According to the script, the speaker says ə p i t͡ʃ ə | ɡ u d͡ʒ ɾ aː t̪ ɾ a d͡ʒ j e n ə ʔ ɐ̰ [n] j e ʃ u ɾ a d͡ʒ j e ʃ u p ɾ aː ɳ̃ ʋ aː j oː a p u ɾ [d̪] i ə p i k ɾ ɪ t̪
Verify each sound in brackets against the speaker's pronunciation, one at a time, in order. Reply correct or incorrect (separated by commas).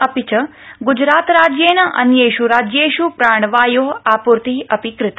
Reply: correct, incorrect